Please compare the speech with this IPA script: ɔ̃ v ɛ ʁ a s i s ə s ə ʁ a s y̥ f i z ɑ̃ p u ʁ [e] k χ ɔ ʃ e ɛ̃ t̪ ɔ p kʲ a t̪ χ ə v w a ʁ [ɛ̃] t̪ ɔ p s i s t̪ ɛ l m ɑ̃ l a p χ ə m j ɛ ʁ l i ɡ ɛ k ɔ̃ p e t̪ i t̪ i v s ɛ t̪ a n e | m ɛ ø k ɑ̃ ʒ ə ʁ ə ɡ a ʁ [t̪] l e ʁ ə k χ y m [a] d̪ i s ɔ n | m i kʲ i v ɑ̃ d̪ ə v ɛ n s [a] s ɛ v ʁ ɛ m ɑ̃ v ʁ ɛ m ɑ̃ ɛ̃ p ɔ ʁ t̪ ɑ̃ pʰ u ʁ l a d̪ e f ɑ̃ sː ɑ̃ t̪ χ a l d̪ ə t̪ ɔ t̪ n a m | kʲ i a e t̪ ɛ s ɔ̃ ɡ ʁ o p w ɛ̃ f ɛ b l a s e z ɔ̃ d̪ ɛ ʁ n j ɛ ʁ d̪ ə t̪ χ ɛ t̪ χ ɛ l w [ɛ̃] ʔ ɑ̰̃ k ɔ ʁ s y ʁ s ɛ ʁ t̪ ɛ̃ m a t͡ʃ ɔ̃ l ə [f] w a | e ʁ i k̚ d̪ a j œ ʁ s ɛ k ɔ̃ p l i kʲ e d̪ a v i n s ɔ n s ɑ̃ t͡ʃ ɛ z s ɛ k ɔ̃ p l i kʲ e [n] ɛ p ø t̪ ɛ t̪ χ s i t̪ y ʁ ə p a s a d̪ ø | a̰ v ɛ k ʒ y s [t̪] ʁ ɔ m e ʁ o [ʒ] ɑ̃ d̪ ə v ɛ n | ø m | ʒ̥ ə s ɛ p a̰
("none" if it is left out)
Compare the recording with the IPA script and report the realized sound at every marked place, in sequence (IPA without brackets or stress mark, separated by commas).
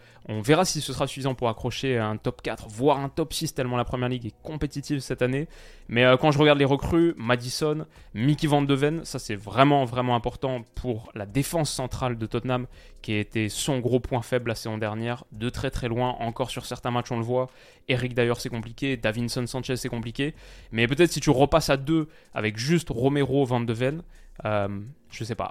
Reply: a, ɛ̃, d̪, a, a, ɛ̃, v, m, t̪, v